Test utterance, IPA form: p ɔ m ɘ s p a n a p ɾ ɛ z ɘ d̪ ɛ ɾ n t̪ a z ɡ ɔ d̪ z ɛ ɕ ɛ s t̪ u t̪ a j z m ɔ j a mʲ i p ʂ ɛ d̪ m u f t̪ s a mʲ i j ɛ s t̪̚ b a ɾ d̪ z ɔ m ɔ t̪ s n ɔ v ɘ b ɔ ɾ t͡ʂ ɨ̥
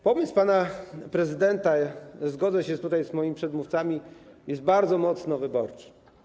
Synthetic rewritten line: p ɔ m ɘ s p a n a p ɾ ɛ z ɘ d̪ ɛ n t̪ a z ɡ ɔ d̪ z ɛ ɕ ɛ s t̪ u t̪ a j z m ɔ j i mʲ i p ʂ ɛ d̪ m u f t̪ s a mʲ i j ɛ s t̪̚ b a ɾ d̪ z ɔ m ɔ t̪ s n ɔ v ɘ b ɔ ɾ t͡ʂ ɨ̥